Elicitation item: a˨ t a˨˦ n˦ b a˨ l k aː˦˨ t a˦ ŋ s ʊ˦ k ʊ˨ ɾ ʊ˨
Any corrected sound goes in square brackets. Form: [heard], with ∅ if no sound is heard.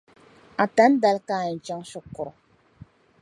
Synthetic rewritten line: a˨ t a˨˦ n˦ [d] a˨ l k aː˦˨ [t͡ʃ] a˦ ŋ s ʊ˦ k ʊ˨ ɾ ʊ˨